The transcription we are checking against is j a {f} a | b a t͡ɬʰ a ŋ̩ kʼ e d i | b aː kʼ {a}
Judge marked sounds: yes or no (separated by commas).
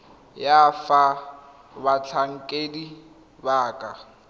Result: yes, yes